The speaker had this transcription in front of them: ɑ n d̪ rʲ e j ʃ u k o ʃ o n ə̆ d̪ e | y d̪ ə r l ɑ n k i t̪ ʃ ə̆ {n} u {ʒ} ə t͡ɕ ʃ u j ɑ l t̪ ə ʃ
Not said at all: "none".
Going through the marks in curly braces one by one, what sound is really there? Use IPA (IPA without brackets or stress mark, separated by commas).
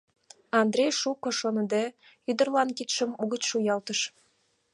m, ɣ